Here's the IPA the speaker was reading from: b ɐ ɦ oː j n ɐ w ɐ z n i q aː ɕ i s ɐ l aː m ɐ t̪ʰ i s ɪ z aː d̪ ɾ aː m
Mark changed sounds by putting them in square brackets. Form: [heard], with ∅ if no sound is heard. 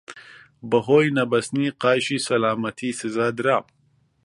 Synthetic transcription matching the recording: b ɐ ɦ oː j n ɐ [b] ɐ [s] n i q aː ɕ i s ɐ l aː m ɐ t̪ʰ i s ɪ z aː d̪ ɾ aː m